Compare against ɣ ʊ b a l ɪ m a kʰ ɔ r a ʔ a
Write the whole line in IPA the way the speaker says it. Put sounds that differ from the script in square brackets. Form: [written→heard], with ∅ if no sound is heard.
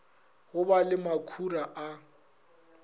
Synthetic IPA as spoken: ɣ ʊ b a l ɪ m a kʰ [ɔ→u] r a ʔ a